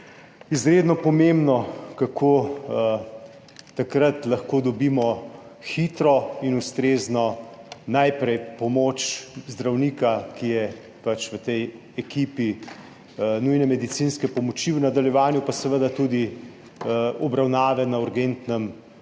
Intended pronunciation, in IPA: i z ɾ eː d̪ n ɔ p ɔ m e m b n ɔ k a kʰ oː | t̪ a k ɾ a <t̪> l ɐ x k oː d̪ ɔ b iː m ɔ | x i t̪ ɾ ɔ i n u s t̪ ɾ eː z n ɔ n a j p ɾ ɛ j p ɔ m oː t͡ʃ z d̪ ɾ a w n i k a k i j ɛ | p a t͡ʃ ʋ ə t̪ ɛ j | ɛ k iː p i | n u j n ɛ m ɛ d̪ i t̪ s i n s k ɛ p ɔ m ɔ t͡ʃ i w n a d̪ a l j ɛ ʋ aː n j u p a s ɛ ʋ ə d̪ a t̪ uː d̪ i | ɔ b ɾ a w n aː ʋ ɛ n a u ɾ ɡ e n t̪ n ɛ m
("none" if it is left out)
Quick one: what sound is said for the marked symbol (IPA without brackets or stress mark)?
t̪